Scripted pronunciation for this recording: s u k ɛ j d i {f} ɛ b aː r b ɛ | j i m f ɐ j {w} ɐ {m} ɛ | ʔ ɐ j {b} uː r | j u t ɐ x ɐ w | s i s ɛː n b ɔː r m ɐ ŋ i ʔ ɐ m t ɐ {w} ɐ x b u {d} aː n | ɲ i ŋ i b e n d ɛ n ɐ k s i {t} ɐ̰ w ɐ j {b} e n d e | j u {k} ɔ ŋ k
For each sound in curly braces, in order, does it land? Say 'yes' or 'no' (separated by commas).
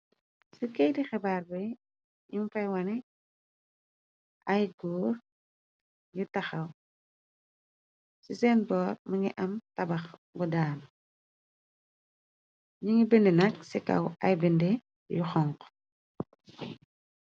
no, yes, no, no, no, yes, no, yes, no